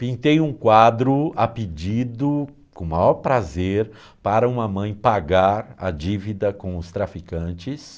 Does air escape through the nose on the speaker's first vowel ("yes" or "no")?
yes